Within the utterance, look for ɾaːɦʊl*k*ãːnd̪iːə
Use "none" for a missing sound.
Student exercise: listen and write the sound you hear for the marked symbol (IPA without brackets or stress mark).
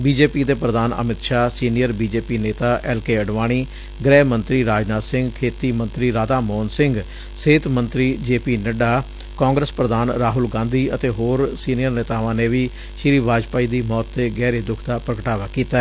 ɡ